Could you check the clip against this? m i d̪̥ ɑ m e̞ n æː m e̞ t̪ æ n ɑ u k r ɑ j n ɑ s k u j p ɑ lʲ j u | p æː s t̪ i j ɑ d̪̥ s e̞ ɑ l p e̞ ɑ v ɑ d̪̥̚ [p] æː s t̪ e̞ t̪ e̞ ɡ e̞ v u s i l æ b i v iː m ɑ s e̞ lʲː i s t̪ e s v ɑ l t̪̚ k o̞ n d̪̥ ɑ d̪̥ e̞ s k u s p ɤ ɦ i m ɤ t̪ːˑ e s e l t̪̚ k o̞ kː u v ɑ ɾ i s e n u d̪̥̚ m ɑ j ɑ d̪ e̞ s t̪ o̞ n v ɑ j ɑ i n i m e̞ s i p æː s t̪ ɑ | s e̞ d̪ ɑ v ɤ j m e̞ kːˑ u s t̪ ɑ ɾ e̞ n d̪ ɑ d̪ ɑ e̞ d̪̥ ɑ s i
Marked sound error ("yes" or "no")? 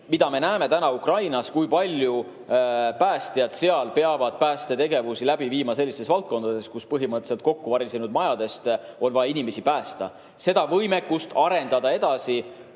no